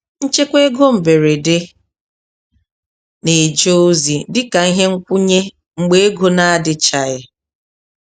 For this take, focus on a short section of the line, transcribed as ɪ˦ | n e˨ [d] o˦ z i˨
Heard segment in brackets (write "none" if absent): d͡ʒ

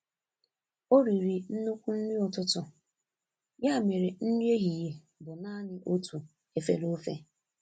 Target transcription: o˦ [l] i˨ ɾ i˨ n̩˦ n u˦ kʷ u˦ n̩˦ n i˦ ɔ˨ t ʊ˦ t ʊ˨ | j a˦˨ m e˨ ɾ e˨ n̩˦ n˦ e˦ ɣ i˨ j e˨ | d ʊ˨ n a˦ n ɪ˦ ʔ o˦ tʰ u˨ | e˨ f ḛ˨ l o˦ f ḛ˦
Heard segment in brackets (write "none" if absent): ɾ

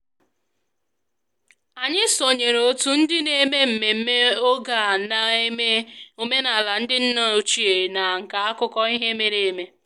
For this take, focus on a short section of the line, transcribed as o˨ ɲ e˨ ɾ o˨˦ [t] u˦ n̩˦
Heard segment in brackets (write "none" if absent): t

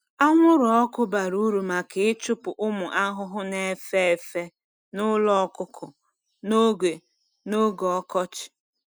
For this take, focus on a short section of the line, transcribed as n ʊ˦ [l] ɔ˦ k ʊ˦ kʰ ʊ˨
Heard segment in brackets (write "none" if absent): l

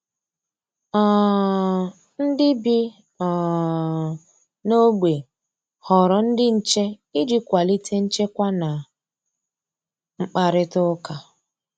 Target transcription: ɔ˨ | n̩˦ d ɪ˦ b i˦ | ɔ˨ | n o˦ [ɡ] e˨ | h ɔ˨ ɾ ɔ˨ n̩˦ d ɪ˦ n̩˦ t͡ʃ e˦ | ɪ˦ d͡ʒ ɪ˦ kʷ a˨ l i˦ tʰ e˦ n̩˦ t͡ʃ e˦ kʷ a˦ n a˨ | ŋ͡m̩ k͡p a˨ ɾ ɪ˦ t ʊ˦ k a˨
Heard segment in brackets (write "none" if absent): ɡ͡b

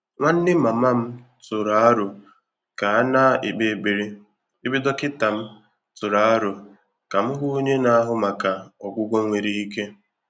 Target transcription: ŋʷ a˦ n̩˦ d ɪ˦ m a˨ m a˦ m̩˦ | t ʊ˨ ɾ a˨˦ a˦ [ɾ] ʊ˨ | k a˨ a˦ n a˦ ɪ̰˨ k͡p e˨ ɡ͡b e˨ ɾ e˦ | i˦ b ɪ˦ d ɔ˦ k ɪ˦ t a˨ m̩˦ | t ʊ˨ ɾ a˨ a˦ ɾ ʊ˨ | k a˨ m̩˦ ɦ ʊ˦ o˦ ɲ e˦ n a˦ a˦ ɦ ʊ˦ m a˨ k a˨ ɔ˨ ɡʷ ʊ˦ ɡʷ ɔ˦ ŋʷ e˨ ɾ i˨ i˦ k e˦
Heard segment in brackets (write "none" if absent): ɾ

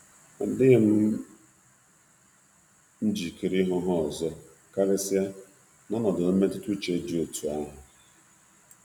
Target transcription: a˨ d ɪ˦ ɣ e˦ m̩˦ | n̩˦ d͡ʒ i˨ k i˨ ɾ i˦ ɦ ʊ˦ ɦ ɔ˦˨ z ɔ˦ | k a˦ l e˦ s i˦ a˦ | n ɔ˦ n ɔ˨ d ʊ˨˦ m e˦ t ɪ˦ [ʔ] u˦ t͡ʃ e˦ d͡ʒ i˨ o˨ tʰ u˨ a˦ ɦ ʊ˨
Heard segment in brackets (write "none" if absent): t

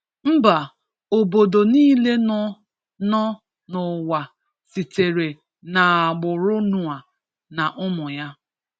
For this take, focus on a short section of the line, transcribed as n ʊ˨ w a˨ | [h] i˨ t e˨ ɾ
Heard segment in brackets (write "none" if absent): s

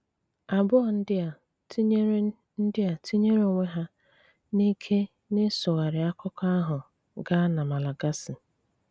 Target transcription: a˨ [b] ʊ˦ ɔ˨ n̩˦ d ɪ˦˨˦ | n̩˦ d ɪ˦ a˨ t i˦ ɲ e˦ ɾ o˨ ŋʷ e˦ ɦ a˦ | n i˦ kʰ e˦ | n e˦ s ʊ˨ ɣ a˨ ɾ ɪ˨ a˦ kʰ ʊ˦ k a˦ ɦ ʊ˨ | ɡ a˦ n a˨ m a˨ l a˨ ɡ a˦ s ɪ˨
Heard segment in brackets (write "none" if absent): b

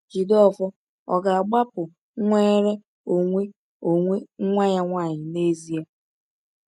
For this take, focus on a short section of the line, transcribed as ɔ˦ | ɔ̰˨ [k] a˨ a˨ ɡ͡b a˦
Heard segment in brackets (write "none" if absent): ɡ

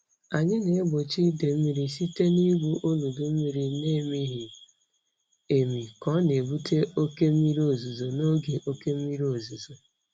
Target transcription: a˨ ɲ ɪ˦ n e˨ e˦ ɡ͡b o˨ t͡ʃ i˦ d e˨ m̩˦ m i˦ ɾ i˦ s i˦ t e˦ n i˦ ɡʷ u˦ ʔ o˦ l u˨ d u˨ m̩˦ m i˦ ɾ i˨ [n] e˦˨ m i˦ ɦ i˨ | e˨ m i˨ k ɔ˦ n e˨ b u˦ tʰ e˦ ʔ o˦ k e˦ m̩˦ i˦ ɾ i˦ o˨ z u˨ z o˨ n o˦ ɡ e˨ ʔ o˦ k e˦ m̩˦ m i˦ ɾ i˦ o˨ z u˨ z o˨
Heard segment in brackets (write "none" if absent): n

